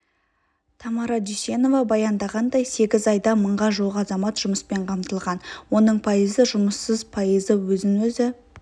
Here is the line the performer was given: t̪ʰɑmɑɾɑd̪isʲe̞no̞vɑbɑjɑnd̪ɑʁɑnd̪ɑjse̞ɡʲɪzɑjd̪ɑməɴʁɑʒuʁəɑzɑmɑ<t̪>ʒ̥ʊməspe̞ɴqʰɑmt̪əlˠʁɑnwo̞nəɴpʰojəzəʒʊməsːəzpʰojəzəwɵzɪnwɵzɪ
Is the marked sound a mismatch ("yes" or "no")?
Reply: no